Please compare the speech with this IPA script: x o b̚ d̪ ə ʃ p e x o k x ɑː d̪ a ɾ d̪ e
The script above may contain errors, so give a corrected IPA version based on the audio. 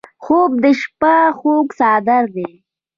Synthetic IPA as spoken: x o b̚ d̪ ə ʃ p a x o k s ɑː d̪ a ɾ d̪ e